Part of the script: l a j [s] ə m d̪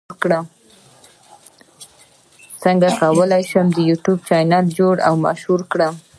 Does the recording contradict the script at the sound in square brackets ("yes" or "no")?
yes